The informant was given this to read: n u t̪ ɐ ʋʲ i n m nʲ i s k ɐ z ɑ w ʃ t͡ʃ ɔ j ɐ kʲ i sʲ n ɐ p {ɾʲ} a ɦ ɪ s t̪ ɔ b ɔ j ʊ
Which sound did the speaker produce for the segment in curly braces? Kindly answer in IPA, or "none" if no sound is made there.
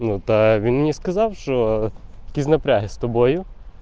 ɾʲ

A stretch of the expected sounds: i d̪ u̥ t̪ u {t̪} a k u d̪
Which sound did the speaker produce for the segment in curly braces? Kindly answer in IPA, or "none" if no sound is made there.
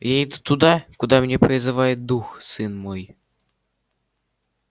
d̪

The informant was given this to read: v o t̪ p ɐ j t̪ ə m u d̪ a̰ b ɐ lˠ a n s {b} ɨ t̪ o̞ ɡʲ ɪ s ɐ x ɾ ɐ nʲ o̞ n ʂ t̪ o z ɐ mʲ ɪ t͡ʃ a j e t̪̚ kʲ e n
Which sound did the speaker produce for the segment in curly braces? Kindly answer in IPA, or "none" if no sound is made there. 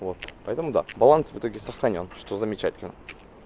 v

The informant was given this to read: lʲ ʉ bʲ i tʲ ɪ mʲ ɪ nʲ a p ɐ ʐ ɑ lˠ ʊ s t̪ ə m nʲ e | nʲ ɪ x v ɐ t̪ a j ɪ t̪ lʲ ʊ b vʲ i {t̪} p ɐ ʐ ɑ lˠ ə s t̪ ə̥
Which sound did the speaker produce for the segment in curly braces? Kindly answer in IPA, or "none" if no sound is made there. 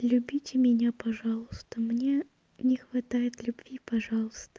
none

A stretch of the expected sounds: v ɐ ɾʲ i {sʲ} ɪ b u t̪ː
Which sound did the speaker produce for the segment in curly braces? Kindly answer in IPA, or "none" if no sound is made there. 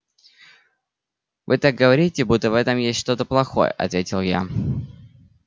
tʲ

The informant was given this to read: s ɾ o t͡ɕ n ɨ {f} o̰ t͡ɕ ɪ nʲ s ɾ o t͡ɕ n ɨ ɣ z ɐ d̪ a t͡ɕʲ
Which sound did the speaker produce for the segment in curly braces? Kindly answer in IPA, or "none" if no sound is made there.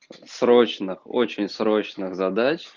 x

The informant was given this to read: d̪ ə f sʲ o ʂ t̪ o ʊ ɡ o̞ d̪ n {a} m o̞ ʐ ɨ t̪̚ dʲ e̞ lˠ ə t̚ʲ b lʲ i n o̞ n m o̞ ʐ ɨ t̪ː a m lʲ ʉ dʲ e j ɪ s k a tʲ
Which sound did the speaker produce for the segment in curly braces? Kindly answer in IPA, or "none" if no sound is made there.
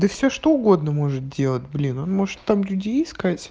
ə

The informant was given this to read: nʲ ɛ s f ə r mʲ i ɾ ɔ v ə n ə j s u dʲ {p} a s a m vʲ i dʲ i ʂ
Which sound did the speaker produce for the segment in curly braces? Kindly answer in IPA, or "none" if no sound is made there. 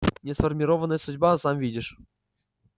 b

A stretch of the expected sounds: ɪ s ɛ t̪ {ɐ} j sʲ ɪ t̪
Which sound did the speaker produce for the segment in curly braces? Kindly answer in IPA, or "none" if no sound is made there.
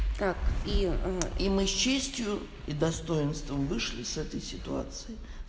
ə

